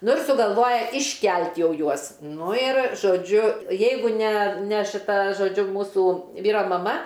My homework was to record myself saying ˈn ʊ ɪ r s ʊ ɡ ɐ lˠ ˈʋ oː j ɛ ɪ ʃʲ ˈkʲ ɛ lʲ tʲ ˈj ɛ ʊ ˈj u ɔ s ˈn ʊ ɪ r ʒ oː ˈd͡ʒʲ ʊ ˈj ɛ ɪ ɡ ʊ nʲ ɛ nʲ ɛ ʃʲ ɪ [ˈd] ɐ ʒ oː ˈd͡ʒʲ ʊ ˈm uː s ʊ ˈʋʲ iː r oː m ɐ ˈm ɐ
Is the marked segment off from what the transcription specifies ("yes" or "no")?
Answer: yes